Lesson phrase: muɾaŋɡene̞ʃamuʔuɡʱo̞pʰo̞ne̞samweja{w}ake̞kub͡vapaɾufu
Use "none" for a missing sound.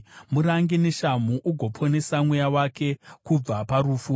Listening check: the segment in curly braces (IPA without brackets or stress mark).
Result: w